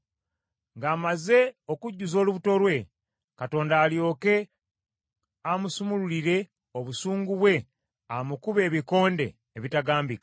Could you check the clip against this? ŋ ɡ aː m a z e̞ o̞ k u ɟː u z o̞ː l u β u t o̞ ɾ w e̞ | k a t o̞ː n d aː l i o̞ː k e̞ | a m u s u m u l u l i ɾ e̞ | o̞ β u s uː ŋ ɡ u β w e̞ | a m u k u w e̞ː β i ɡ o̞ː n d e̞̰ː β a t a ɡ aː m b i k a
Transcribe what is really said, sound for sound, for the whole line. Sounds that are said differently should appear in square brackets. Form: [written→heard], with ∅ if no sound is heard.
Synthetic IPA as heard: ŋ ɡ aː m a z e̞ o̞ k u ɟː u z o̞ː l u β u t o̞ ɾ w e̞ | k a t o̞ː n d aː l [i→j] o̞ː k e̞ | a m u s u m u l u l i ɾ e̞ | o̞ β u s uː ŋ ɡ u β w e̞ | a m u k u [w→β] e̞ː β i [ɡ→k] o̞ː n d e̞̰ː β [a→i] t a ɡ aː m b i k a